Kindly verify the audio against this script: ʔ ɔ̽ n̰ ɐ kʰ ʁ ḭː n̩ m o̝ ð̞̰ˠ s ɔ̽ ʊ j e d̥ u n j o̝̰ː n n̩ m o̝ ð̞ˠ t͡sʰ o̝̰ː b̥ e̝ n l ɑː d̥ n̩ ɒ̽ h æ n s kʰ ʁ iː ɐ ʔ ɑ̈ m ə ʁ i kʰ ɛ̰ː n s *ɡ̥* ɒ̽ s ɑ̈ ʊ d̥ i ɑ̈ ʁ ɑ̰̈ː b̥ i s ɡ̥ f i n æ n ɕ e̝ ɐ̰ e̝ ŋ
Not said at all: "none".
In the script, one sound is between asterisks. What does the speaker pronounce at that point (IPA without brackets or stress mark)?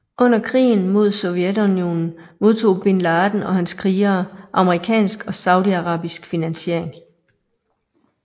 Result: ɡ̥